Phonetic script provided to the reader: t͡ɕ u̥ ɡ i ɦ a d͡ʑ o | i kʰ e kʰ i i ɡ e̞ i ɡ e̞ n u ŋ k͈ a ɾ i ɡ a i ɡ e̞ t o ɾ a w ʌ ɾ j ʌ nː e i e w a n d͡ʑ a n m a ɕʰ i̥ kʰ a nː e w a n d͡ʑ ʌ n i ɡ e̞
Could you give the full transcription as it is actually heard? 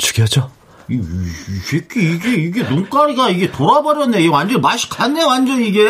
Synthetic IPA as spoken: t͡ɕ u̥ ɡ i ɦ a d͡ʑ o | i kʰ e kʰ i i ɡ e̞ i ɡ e̞ n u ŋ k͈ a ɾ i ɡ a i ɡ e̞ t o ɾ a b ʌ ɾ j ʌ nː e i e w a n d͡ʑ ʌ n m a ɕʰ i̥ kʰ a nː e w a n d͡ʑ ʌ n i ɡ e̞